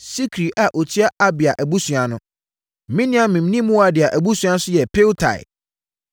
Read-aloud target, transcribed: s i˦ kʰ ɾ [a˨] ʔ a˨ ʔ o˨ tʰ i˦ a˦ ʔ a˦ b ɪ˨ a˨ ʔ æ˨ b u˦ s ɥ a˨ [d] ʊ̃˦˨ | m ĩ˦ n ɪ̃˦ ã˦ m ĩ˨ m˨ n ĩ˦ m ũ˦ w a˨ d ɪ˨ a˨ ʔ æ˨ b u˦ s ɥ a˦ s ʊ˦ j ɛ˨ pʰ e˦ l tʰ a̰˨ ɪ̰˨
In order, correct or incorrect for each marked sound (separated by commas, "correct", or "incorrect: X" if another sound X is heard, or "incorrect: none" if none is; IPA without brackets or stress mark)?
incorrect: i˨, incorrect: n